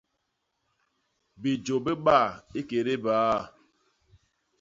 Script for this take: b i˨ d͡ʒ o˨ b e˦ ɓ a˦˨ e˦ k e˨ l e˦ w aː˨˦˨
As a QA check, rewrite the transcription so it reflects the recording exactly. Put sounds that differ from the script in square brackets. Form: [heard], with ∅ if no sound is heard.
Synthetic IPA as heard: b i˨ d͡ʒ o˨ b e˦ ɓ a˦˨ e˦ k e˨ [ɾ] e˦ [b] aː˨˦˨